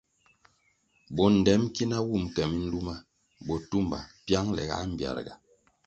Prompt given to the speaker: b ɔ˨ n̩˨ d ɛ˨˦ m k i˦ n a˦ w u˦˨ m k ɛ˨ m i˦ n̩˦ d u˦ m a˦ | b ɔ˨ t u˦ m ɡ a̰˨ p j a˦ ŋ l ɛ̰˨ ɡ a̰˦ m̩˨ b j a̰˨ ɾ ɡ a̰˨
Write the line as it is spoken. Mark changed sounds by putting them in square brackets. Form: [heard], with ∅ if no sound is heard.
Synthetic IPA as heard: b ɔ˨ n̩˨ d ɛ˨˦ m k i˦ n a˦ w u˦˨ m k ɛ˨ m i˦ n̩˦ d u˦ m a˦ | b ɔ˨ t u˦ m [b] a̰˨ p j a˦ ŋ l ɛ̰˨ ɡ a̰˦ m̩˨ b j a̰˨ ɾ ɡ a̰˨